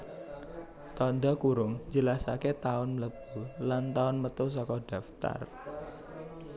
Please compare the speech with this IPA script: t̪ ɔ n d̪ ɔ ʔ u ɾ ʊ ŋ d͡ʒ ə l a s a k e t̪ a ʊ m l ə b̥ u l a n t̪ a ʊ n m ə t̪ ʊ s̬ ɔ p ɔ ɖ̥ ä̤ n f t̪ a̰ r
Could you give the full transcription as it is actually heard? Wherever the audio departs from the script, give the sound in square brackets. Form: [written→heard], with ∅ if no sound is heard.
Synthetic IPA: t̪ ɔ n d̪ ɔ [ʔ→k] u ɾ ʊ ŋ d͡ʒ ə l a s a k e t̪ a ʊ [m→n] l ə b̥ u l a n t̪ a ʊ n m ə t̪ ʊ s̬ ɔ [p→k] ɔ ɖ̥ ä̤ [n→∅] f t̪ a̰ r